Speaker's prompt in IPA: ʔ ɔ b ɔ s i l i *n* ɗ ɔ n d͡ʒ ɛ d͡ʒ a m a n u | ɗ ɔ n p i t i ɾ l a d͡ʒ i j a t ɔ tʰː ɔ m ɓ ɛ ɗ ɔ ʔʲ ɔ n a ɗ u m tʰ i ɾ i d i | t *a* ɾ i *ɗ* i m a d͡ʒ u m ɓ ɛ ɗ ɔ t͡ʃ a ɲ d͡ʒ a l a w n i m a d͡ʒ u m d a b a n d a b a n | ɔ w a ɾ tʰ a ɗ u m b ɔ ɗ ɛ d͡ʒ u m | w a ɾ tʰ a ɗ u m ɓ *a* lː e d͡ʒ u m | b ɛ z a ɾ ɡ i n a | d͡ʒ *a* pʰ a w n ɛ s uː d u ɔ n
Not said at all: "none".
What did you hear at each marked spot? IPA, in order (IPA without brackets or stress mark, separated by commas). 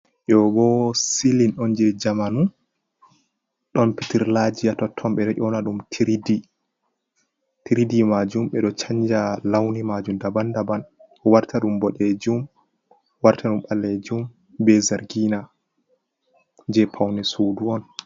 n, i, d, a, ɛ